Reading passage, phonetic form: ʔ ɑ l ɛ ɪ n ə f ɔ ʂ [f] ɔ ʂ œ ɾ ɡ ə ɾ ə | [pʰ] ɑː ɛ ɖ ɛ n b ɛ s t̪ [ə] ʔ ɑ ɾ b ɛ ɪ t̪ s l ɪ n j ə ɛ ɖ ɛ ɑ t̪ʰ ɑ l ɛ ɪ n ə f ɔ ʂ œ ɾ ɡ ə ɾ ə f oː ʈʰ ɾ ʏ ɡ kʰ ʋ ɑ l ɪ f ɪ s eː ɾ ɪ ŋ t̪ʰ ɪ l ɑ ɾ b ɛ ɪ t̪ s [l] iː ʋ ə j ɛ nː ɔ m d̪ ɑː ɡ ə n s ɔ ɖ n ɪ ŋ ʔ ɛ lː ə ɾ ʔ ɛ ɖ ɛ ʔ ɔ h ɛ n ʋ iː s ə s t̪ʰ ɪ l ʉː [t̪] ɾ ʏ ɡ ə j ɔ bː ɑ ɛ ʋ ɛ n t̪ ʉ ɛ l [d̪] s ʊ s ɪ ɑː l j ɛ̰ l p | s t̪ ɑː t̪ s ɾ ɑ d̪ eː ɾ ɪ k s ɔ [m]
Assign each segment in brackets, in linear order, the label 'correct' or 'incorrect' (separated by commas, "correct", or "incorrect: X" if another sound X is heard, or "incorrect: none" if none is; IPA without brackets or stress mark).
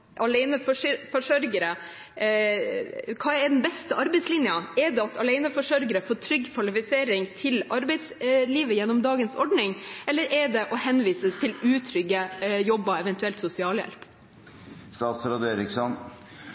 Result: correct, incorrect: kʰ, correct, correct, incorrect: t̪ʰ, incorrect: t̪, incorrect: n